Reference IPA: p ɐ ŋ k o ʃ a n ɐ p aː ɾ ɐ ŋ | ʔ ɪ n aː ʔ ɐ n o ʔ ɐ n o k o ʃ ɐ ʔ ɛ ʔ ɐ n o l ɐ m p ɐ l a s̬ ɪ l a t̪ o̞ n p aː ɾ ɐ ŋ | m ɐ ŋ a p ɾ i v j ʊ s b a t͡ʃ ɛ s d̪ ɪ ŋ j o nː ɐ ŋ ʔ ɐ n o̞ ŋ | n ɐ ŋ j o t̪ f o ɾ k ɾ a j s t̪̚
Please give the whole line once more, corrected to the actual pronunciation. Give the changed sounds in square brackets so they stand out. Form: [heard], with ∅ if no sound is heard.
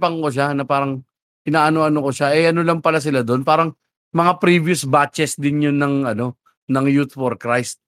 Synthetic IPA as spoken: p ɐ ŋ k o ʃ a n ɐ p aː ɾ ɐ ŋ | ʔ ɪ n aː ʔ ɐ n o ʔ ɐ n o k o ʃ [a] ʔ ɛ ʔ ɐ n o l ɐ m p ɐ l a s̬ ɪ l a [d̪] o̞ n p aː ɾ ɐ ŋ | m ɐ ŋ a p ɾ i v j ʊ s b a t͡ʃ ɛ s d̪ ɪ [n] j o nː ɐ ŋ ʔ ɐ n o̞ [∅] | n ɐ ŋ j [u] t̪ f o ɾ k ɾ a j s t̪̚